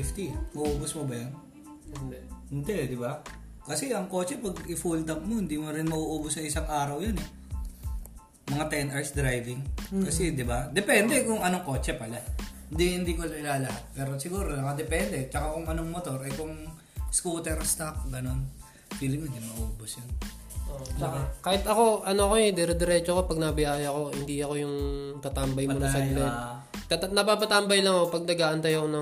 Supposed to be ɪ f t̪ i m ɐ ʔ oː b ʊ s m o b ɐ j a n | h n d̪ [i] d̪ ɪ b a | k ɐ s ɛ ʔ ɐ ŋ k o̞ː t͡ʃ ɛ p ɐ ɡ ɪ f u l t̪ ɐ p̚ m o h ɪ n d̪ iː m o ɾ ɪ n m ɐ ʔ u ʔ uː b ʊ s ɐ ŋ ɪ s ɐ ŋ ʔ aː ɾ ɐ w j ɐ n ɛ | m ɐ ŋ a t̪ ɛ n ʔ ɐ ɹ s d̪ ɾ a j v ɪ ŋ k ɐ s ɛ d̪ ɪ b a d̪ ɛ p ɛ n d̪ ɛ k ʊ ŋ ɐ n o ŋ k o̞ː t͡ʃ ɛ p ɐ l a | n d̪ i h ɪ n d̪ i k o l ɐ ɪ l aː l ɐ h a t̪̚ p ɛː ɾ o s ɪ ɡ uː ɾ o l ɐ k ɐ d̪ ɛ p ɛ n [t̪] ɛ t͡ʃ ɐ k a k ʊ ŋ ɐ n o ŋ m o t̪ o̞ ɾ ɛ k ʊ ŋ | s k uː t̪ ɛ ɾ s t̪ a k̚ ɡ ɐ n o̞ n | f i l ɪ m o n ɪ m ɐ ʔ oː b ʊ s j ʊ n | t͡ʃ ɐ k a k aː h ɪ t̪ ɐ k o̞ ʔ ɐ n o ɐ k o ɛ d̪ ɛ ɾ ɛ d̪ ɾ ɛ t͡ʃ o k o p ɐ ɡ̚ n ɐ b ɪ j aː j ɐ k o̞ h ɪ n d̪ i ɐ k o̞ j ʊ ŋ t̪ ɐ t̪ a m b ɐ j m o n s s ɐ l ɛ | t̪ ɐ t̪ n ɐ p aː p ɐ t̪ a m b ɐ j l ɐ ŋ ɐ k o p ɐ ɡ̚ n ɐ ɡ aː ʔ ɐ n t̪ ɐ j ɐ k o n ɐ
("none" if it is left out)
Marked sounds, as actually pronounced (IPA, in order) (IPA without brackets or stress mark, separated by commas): ɛ, d̪